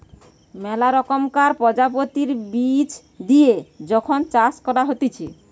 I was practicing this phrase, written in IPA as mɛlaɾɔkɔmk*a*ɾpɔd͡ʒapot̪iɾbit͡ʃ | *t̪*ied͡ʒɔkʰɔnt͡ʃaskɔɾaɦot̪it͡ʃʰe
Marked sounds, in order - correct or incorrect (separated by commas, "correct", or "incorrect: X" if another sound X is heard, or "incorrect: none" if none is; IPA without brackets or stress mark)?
correct, incorrect: d̪